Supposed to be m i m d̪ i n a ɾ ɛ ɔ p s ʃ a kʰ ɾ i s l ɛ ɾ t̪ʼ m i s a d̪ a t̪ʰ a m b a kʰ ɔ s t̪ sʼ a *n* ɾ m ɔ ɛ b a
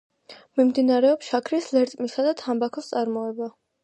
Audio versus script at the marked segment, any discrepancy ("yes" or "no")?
yes